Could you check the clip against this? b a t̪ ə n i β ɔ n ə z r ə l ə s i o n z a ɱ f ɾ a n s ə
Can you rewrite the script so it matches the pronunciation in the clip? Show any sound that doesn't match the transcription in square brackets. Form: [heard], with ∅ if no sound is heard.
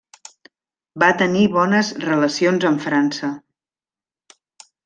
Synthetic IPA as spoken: b a t̪ ə n i β ɔ n ə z r ə l ə s i o n z [ə] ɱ f ɾ a n s ə